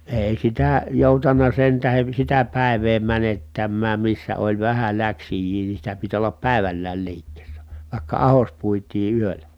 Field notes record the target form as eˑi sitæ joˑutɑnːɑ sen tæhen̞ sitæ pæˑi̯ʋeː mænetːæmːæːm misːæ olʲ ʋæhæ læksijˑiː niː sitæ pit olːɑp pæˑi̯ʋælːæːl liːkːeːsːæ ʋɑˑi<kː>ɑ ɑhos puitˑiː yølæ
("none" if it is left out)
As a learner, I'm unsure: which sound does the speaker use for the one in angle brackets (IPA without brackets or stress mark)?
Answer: kː